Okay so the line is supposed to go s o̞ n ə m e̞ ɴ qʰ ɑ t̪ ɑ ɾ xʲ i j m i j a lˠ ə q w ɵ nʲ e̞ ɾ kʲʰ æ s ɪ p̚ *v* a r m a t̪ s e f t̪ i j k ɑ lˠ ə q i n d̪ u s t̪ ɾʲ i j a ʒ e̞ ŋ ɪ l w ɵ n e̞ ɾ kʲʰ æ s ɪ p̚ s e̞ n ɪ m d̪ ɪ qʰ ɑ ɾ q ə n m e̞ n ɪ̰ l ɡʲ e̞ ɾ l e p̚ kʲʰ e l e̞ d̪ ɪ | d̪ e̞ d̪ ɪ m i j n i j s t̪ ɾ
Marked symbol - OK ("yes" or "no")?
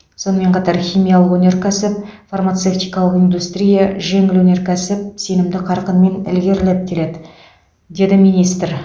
no